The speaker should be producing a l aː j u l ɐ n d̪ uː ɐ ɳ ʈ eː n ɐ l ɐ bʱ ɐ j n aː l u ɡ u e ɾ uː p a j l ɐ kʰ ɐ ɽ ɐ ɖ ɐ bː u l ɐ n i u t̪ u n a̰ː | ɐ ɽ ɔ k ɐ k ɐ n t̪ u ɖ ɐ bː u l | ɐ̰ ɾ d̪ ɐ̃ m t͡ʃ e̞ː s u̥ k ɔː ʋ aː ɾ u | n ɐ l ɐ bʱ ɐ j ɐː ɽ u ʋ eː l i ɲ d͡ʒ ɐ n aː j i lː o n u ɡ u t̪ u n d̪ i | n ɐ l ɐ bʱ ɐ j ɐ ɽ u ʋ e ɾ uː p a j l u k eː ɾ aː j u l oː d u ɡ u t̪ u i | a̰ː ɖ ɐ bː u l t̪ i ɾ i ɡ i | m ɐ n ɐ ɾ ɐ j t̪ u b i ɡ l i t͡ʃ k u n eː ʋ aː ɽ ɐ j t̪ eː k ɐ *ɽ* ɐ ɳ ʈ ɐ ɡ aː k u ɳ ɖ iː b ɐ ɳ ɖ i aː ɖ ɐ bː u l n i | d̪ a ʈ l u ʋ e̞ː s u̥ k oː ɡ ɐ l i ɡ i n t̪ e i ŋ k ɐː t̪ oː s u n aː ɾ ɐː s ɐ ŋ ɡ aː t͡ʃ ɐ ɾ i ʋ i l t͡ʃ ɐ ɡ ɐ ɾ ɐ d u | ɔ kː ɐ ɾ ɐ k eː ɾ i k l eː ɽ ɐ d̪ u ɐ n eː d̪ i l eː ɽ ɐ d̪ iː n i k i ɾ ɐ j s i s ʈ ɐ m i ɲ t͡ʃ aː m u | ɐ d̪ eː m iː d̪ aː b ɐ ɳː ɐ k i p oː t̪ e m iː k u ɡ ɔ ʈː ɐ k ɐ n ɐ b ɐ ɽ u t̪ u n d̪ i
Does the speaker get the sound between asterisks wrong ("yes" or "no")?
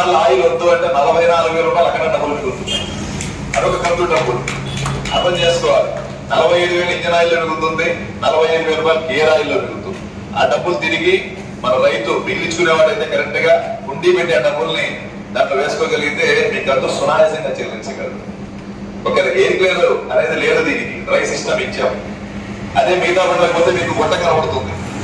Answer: yes